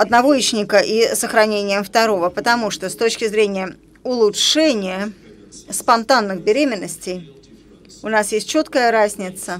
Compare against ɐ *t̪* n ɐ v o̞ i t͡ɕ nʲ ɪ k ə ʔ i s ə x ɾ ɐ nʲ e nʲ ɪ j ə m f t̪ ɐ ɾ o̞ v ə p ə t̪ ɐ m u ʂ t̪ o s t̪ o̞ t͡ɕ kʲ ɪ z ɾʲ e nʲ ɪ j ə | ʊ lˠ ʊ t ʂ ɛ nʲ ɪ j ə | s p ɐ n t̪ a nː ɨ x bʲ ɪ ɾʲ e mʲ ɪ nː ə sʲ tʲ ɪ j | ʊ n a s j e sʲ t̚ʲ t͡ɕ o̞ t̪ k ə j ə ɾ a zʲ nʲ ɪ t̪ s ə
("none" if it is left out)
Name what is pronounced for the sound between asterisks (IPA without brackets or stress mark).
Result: d̪